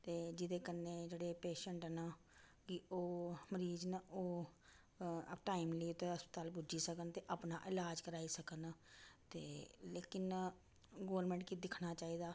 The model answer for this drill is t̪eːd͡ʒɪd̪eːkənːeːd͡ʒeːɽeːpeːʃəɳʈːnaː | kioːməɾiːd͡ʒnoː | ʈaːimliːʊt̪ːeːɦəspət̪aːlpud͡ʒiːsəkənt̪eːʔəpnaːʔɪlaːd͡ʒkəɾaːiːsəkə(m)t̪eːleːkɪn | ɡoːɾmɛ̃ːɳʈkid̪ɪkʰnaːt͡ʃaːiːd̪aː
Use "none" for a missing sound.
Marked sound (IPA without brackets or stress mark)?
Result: n